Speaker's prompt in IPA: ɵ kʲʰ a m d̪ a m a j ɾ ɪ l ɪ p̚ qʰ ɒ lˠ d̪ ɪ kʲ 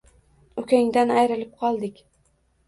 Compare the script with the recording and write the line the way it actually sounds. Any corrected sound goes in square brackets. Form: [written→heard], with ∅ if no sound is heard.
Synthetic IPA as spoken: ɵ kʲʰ a [m→ŋ] d̪ a [m→n] a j ɾ ɪ l ɪ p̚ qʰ ɒ lˠ d̪ ɪ kʲ